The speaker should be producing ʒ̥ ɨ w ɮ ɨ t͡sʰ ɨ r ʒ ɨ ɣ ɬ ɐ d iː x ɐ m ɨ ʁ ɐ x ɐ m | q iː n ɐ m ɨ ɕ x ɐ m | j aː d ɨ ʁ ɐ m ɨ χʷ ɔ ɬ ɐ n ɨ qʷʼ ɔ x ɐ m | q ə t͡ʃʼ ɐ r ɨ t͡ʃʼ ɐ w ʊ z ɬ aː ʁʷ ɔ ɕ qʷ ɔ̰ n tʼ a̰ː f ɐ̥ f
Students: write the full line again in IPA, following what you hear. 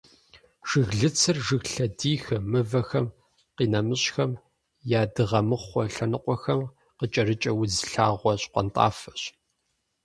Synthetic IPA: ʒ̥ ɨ ɣ ɮ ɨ t͡sʰ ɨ r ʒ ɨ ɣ ɬ ɐ d iː x ɐ m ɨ v ɐ x ɐ m | q iː n ɐ m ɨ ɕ x ɐ m | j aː d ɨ ʁ ɐ m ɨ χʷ ɔ ɬ ɐ n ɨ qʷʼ ɔ x ɐ m | q ə t͡ʃʼ ɐ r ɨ t͡ʃʼ ɐ w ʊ z ɬ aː ʁʷ ɔ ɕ qʷ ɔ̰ n tʼ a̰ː f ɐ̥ ɕ

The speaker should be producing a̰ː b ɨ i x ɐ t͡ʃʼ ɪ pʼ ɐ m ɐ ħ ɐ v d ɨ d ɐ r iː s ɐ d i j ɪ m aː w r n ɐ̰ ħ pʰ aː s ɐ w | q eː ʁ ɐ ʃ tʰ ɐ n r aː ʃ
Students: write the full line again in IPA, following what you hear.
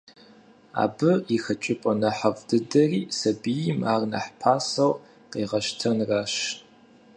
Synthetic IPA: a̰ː b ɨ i x ɐ t͡ʃʼ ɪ pʼ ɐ n ɐ ħ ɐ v d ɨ d ɐ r iː s ɐ b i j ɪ m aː r n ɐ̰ ħ pʰ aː s ɐ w | q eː ʁ ɐ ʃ tʰ ɐ n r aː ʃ

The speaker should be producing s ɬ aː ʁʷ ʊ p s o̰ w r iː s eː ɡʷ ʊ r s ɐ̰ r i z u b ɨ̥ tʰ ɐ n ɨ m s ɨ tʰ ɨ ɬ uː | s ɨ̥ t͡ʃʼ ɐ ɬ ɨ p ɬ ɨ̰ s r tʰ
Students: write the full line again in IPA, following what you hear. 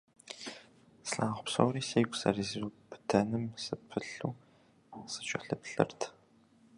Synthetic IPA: s ɬ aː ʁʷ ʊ p s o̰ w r iː s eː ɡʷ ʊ s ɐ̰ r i z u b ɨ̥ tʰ ɐ n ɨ m s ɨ pʰ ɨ ɬ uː | s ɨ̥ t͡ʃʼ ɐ ɬ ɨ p ɬ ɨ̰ r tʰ

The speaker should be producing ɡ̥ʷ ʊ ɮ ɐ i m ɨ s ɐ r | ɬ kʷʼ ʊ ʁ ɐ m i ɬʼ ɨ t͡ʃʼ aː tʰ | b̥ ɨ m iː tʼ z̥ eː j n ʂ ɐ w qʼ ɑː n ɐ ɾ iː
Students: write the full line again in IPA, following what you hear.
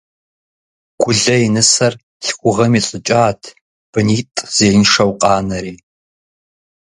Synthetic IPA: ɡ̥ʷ ʊ ɮ ɐ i n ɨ s ɐ r | ɬ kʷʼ ʊ ʁ ɐ m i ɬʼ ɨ t͡ʃʼ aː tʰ | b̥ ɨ n iː tʼ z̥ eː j n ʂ ɐ w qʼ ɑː n ɐ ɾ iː

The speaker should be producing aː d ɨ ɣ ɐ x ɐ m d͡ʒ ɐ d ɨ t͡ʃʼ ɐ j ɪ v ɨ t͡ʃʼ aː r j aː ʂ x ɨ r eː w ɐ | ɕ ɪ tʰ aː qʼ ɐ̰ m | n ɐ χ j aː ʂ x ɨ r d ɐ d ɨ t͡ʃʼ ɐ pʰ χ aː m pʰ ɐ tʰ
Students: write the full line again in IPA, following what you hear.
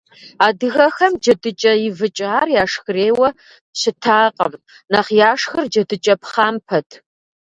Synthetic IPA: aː d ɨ ɣ ɐ x ɐ m d͡ʒ ɐ d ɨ t͡ʃʼ ɐ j ɪ v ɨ t͡ʃʼ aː r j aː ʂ x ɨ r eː w ɐ | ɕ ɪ tʰ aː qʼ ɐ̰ m | n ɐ χ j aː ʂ x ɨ r d͡ʒ ɐ d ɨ t͡ʃʼ ɐ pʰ χ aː m pʰ ɐ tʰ

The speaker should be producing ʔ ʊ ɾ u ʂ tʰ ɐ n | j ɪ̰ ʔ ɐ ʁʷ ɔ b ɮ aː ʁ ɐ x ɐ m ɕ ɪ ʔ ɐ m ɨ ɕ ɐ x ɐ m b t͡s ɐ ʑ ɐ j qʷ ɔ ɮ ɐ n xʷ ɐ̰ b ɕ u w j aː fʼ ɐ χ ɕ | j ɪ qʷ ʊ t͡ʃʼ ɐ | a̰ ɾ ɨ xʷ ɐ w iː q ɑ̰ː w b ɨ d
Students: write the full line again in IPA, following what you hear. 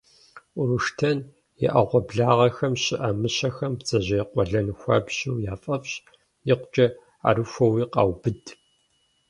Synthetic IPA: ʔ ʊ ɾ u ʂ tʰ ɐ n | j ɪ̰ ʔ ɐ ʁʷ ɔ b ɮ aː ʁ ɐ x ɐ m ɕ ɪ ʔ ɐ m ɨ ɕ ɐ x ɐ m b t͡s ɐ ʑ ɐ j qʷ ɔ ɮ ɐ n xʷ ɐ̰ b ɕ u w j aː fʼ ɐ f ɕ | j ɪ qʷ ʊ t͡ʃʼ ɐ | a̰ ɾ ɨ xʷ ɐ w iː q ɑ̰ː w b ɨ d

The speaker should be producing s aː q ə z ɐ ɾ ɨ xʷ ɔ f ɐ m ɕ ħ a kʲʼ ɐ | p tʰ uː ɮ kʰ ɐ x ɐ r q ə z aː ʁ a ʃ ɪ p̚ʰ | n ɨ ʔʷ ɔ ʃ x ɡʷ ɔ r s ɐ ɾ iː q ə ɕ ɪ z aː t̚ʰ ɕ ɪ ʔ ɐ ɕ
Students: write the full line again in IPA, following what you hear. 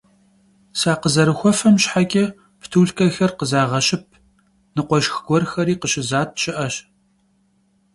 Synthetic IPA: s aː q ə z ɐ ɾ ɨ xʷ ɔ f ɐ m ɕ ħ a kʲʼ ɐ | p tʰ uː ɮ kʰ ɐ x ɐ r q ə z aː ʁ ɐ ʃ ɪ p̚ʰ | n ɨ qʷ ɔ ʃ x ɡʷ ɔ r x ɐ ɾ iː q ə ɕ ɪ z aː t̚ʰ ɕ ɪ ʔ ɐ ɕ

